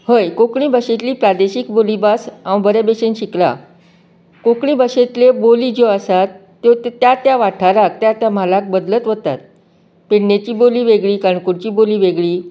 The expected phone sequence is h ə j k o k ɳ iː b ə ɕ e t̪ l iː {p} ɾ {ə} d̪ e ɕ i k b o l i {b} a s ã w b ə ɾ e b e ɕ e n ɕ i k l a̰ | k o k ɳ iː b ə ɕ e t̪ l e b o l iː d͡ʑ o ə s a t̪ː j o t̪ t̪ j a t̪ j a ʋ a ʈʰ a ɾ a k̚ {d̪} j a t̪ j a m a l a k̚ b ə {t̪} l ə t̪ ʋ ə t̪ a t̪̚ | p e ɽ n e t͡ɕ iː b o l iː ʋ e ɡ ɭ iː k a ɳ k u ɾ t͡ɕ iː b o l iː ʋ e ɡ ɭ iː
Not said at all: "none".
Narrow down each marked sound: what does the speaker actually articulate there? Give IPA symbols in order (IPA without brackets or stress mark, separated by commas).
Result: p, a, b, t̪, d̪